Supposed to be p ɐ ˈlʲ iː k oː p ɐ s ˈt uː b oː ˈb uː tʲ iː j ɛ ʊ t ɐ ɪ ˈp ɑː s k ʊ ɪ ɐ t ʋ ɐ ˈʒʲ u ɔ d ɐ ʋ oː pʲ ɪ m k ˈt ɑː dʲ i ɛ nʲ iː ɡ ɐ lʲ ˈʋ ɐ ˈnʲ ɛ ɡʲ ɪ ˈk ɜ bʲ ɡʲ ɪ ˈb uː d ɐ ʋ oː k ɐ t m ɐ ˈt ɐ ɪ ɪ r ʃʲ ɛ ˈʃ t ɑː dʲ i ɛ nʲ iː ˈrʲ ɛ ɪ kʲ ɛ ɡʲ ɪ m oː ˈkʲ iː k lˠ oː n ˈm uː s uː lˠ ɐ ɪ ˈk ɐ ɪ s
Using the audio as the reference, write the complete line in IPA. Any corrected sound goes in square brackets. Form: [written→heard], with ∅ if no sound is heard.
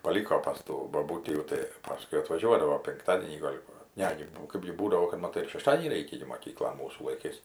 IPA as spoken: p ɐ ˈlʲ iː k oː p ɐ s ˈt uː b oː ˈb uː tʲ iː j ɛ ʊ t ɐ ɪ ˈp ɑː s k ʊ ɪ ɐ t ʋ ɐ ˈʒʲ u ɔ d ɐ ʋ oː pʲ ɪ [m→ŋ] k ˈt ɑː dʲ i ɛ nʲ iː ɡ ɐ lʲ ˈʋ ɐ ˈnʲ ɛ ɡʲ ɪ ˈk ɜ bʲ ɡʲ ɪ ˈb uː d ɐ ʋ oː k ɐ t m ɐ ˈt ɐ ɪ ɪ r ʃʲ ɛ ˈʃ t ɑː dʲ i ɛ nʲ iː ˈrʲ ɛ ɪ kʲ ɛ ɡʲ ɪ m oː ˈkʲ iː k lˠ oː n ˈm uː s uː lˠ ɐ ɪ ˈk ɐ ɪ s